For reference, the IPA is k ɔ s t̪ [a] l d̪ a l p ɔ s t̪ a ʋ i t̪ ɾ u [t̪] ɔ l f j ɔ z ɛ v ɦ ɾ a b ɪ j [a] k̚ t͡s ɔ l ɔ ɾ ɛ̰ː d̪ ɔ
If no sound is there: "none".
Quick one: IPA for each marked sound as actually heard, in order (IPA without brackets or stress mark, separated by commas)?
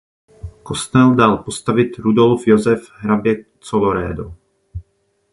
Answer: ɛ, d̪, ɛ